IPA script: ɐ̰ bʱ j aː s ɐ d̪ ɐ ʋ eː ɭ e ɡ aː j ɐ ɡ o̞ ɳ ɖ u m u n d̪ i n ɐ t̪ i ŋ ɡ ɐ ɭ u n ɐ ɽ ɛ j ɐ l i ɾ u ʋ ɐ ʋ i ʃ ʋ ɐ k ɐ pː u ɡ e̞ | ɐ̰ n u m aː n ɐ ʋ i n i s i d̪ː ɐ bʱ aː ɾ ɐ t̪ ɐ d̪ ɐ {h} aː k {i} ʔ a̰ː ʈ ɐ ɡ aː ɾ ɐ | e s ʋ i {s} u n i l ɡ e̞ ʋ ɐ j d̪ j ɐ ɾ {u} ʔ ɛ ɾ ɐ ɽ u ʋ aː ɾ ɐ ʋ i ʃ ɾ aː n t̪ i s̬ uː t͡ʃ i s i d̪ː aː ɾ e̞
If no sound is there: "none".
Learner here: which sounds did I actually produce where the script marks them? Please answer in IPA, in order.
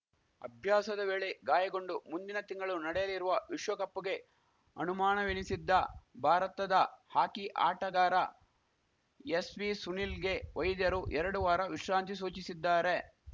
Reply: h, i, s, u

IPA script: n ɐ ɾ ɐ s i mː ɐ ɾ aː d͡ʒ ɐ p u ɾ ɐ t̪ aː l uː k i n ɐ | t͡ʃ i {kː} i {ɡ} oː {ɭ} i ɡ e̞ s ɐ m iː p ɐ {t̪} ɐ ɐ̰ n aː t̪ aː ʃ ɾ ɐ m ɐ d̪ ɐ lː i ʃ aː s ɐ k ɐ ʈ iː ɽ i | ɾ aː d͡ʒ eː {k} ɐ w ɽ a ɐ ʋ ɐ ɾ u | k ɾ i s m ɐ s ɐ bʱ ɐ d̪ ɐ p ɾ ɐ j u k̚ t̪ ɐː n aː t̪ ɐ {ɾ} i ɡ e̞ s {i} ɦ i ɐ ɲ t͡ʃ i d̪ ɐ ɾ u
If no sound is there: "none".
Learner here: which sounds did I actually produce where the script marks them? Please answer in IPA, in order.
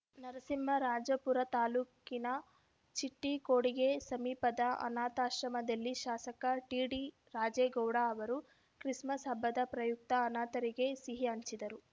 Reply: ʈː, k, ɽ, d̪, ɡ, ɾ, i

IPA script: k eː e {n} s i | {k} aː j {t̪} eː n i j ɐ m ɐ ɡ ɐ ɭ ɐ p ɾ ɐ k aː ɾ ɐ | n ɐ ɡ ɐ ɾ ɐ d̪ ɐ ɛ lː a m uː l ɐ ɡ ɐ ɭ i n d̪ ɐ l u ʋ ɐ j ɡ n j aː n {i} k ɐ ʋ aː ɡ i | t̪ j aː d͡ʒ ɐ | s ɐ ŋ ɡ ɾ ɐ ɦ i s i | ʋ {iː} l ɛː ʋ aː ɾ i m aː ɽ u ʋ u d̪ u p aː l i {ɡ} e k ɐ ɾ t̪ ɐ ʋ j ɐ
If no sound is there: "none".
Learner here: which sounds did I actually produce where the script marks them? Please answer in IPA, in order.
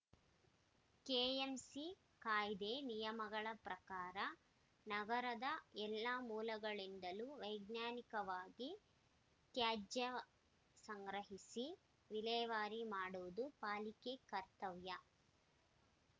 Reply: m, k, d̪, i, i, k

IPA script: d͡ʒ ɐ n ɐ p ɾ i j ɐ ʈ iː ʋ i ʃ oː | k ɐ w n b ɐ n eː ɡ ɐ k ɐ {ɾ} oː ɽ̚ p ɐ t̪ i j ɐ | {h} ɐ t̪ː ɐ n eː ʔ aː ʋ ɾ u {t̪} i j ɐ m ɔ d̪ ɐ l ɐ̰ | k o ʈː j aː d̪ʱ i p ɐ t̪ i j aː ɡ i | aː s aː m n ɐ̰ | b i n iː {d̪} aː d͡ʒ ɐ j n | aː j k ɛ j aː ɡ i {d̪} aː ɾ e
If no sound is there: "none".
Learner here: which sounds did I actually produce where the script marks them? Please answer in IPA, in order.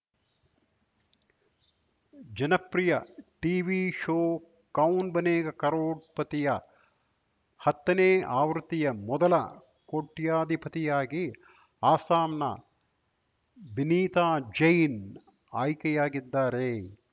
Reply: ɾ, h, t̪, t̪, d̪ː

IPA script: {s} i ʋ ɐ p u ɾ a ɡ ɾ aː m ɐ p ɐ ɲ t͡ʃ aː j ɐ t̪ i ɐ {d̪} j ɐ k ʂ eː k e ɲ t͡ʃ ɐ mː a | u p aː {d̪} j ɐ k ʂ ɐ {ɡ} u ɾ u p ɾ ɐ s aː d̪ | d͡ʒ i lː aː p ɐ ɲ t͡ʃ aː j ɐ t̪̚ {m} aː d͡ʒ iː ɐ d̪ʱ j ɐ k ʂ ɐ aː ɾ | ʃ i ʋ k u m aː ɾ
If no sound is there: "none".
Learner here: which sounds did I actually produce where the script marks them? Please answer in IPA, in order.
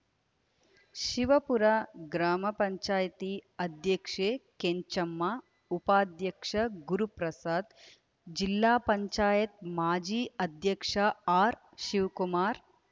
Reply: ʃ, d̪, d̪, ɡ, m

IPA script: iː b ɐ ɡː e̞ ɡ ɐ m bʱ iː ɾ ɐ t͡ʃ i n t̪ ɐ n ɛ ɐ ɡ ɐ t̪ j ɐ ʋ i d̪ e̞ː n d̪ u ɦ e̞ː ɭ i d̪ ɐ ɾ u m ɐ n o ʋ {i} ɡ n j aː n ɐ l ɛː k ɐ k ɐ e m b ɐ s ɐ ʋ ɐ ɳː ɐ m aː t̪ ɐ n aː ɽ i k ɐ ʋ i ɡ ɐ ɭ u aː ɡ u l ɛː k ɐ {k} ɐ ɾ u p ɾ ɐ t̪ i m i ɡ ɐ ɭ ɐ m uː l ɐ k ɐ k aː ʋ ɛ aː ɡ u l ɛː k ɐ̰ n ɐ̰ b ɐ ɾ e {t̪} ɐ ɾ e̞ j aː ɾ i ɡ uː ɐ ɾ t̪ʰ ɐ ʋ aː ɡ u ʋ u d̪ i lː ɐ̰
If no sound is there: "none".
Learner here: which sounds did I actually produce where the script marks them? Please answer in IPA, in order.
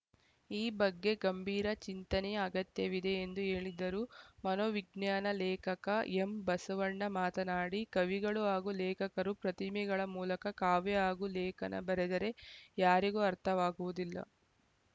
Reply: i, k, d̪

